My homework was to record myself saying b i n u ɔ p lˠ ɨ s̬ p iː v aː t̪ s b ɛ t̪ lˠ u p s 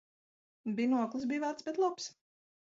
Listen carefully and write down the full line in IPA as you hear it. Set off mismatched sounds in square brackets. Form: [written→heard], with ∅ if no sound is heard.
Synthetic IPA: b i n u ɔ [p→k] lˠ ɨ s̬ [p→b] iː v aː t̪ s b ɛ t̪ lˠ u p s